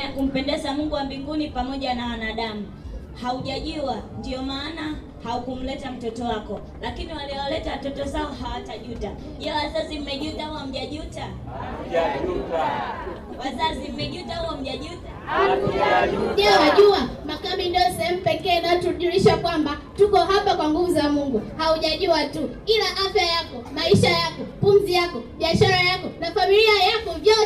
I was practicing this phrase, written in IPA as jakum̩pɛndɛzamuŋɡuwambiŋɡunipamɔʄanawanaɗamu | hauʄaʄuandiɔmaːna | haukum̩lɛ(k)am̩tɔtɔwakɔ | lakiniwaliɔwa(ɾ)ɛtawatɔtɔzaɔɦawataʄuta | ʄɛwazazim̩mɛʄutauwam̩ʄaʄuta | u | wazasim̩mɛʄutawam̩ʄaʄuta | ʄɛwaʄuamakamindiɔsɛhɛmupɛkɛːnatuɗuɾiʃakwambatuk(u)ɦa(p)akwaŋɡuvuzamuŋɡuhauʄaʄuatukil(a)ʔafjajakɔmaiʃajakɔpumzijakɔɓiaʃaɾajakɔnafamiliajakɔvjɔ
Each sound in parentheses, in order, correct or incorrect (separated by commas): incorrect, incorrect, incorrect, correct, correct